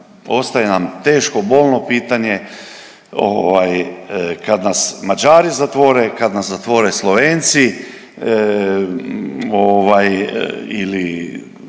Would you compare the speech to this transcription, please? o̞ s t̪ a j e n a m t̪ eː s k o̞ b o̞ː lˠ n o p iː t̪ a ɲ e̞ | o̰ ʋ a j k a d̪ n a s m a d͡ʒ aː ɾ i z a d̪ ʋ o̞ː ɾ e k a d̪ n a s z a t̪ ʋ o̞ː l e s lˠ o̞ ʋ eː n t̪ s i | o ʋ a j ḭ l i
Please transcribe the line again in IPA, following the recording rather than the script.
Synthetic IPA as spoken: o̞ s t̪ a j e n a m t̪ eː ʃ k o̞ b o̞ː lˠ n o p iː t̪ a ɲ e̞ | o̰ ʋ a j k a d̪ n a s m a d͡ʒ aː ɾ i z a t̪ ʋ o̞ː ɾ e k a d̪ n a s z a t̪ ʋ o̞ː ɾ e s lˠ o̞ ʋ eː n t̪ s i | o ʋ a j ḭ l i